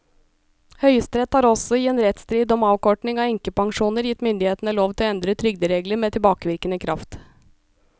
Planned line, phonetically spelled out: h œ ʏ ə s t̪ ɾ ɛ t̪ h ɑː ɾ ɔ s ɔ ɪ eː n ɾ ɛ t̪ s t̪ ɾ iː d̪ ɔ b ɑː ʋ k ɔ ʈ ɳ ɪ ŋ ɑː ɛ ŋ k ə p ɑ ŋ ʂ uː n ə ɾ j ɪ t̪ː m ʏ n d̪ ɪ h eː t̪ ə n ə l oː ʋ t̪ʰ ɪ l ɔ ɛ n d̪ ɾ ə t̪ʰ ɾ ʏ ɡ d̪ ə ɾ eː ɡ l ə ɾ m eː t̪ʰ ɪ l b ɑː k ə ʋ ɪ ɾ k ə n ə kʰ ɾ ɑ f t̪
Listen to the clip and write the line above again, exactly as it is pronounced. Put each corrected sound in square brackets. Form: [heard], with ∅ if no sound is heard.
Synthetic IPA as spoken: h œ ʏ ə s t̪ ɾ ɛ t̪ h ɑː ɾ ɔ s ɔ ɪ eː n ɾ ɛ t̪ s t̪ ɾ iː d̪ ɔ [m] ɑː ʋ k ɔ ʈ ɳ ɪ ŋ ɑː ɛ ŋ k ə p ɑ ŋ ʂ uː n ə ɾ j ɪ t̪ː m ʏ n d̪ ɪ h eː t̪ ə n ə l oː ʋ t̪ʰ ɪ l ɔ ɛ n d̪ ɾ ə t̪ʰ ɾ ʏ ɡ d̪ ə ɾ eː ɡ l ə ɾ m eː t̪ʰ ɪ l b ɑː k ə ʋ ɪ ɾ k ə n ə kʰ ɾ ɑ f t̪

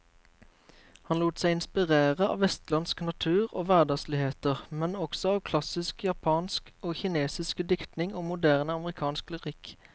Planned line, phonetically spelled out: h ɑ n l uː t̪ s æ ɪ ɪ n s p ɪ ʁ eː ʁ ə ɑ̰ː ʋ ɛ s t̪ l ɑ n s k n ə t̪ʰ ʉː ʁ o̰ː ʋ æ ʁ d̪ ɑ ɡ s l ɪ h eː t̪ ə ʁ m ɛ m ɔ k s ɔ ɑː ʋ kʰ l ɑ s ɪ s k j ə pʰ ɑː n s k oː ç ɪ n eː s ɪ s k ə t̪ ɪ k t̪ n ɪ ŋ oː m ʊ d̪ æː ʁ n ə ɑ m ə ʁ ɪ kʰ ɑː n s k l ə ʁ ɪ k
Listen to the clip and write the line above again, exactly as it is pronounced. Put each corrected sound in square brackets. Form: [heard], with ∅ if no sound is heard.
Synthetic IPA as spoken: h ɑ n l uː t̪ s æ ɪ ɪ n s p ɪ ʁ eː ʁ ə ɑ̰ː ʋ ɛ s t̪ l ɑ n s k n [ɑ] t̪ʰ ʉː ʁ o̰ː ʋ æ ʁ d̪ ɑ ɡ s l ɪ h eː t̪ ə ʁ m ɛ [n] ɔ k s ɔ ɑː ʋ kʰ l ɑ s ɪ s k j [ɑ] pʰ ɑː n s k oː ç ɪ n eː s ɪ s k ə [d̪] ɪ k t̪ n ɪ ŋ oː m ʊ d̪ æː ʁ n ə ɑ m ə ʁ ɪ kʰ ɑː n s k l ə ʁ ɪ k

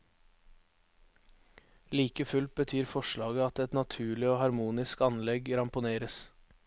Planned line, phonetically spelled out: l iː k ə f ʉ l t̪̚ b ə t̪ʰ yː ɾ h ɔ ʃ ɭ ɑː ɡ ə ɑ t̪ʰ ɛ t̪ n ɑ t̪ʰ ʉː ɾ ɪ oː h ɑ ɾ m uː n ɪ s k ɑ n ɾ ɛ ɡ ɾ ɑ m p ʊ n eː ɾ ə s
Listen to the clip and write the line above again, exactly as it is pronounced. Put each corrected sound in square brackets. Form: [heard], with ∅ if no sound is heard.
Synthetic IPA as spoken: l iː k ə f ʉ l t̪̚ b ə t̪ʰ yː ɾ [f] ɔ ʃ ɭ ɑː ɡ ə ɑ [t̪] ɛ t̪ n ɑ t̪ʰ ʉː [ɭ] ɪ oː h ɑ ɾ m uː n ɪ s k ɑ n [l] ɛ ɡ ɾ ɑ m p ʊ n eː ɾ ə s

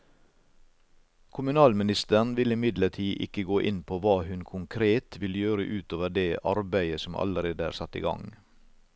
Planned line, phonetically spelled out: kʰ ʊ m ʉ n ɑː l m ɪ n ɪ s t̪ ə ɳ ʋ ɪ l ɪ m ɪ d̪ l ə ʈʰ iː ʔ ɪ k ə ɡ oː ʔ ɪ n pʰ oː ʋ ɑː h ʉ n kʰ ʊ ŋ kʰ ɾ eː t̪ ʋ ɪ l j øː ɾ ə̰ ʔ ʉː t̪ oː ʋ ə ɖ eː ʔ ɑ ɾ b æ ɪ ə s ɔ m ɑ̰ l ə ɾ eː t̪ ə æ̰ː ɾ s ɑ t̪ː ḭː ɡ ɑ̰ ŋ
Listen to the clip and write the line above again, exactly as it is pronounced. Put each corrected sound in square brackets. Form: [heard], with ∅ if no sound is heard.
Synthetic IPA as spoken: kʰ ʊ m ʉ n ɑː l m ɪ n ɪ s t̪ ə ɳ ʋ ɪ l ɪ m ɪ d̪ l ə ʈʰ iː ʔ ɪ k ə ɡ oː ʔ ɪ n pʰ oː ʋ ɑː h ʉ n kʰ ʊ ŋ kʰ ɾ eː t̪ ʋ ɪ l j øː ɾ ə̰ ʔ ʉː t̪ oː ʋ ə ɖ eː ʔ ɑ ɾ b æ ɪ ə s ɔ m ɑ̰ l ə ɾ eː [d̪] ə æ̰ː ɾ s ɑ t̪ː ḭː ɡ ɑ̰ ŋ

